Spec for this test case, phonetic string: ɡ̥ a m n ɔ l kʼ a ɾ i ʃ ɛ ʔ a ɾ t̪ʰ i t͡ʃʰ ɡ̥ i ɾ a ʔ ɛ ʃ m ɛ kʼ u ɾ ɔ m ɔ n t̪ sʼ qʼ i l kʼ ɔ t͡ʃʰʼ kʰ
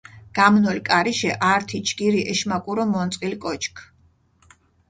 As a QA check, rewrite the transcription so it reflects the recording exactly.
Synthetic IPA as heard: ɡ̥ a m n ɔ l kʼ a ɾ i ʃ ɛ ʔ a ɾ t̪ʰ i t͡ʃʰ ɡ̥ i ɾ i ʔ ɛ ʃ m a kʼ u ɾ ɔ m ɔ n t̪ sʼ qʼ i l kʼ ɔ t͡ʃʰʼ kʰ

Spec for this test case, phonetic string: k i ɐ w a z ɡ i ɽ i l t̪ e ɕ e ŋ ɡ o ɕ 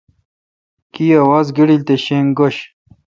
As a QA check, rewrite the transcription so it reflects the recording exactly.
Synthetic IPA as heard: k i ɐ w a z ɡ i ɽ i l t̪ e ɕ e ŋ ɡ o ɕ

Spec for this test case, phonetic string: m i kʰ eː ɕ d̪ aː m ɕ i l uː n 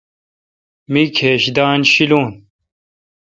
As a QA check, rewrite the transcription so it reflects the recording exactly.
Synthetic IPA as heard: m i kʰ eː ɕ d̪ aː n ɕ i l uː n

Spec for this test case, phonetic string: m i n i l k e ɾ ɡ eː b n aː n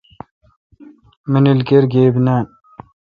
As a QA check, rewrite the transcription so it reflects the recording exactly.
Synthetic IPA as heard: m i n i l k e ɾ ɡ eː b n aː n

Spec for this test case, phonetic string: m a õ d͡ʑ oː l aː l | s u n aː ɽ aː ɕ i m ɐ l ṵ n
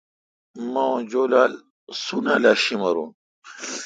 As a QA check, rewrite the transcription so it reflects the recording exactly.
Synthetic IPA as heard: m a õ d͡ʑ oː l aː l | s u n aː l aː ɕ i m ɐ ɾ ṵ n

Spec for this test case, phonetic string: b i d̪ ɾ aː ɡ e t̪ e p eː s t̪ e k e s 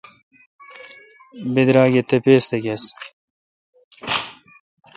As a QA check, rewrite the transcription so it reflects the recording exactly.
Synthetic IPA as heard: b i d̪ ɾ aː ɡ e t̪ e p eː s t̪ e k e s

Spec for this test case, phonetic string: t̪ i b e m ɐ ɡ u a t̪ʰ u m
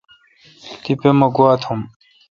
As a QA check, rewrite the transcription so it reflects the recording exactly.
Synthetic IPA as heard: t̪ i p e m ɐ ɡ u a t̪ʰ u m

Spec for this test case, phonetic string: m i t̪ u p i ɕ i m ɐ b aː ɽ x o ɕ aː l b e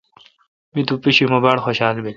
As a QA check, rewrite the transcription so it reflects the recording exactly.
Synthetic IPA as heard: m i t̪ u p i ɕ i m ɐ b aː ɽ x o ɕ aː l b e

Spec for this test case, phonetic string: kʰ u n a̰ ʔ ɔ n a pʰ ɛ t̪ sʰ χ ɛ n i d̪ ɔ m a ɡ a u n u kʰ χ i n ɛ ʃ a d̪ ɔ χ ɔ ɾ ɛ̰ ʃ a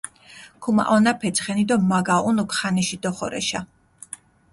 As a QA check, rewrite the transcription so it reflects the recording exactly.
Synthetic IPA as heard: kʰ u m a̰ ʔ ɔ n a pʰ ɛ t̪ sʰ χ ɛ n i d̪ ɔ m a ɡ a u n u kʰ χ a n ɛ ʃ i d̪ ɔ χ ɔ ɾ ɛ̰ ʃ a

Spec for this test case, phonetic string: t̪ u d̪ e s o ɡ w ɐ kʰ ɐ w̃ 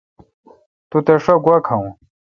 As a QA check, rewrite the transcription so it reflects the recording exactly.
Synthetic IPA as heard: t̪ u t̪ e ʂ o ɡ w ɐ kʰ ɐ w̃

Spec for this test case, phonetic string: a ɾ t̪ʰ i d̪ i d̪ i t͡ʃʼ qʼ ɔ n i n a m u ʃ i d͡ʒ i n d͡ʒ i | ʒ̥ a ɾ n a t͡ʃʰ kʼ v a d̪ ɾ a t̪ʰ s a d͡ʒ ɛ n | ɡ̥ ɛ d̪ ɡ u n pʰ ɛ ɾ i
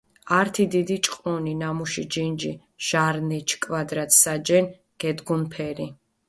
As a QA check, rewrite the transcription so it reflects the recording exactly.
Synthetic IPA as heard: a ɾ t̪ʰ i d̪ i d̪ i t͡ʃʼ qʼ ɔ n i n a m u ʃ i d͡ʒ i n d͡ʒ i | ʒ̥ a ɾ n ɛ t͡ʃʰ kʼ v a d̪ ɾ a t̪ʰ s a d͡ʒ ɛ n | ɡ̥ ɛ d̪ ɡ u n pʰ ɛ ɾ i

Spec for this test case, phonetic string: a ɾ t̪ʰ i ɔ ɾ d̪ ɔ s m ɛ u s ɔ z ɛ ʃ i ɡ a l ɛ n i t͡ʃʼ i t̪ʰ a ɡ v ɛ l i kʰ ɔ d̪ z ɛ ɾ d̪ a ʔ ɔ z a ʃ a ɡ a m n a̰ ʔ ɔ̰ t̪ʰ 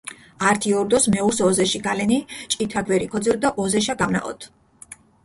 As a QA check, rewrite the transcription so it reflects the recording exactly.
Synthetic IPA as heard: a ɾ t̪ʰ i ɔ ɾ d̪ ɔ s m ɛ u s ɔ z ɛ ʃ i ɡ a l ɛ n i t͡ʃʼ i t̪ʰ a ɡ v ɛ ɾ i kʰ ɔ d̪ z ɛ ɾ d̪ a ʔ ɔ z ɛ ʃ a ɡ a m n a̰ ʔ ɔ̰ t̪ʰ

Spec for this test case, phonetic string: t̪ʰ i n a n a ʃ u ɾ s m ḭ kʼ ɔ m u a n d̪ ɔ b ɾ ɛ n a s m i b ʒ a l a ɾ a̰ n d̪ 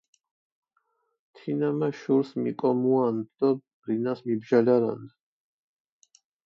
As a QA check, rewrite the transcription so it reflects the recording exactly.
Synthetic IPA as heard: t̪ʰ i n a m a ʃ u ɾ s m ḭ kʼ ɔ m u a n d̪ ɔ b ɾ i n a s m i b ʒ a l a ɾ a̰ n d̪

